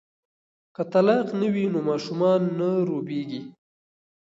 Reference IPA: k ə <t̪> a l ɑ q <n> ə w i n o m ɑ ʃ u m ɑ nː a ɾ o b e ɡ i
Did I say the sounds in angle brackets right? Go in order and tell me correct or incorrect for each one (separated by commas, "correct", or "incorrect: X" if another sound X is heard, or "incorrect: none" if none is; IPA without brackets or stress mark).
correct, correct